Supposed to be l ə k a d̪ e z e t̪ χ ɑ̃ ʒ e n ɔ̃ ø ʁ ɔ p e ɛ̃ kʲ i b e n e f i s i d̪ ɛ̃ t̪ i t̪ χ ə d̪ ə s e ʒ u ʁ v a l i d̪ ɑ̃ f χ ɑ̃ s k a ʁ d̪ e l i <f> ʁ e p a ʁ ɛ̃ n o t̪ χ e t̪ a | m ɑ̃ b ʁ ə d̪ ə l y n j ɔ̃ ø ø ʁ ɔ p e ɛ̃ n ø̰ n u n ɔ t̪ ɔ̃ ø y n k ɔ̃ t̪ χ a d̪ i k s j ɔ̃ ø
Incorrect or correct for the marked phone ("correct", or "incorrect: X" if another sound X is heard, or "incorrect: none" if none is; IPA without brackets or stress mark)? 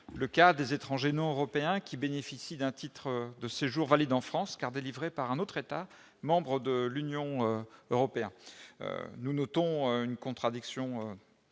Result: incorrect: v